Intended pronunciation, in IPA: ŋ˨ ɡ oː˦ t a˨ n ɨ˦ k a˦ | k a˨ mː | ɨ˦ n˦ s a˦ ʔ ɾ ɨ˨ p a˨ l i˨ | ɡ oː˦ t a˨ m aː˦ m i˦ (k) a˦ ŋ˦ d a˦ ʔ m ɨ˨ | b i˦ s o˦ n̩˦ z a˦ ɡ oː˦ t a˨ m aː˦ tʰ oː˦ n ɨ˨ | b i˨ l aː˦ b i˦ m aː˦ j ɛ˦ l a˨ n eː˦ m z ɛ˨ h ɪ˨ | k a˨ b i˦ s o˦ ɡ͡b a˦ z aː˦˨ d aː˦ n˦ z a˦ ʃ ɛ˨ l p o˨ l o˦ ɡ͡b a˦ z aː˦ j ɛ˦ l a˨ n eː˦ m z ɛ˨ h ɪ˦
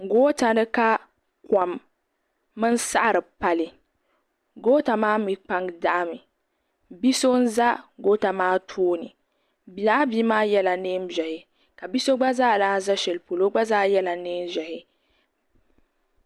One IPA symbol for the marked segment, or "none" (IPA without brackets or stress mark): k͡p